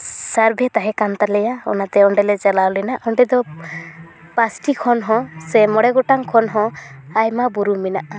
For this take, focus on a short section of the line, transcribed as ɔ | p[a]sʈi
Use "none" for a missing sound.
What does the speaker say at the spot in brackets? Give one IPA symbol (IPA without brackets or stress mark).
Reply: a